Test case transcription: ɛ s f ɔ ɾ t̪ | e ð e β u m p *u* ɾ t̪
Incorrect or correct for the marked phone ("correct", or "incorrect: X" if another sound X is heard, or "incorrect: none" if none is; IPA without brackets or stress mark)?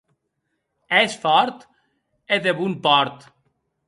incorrect: ɔ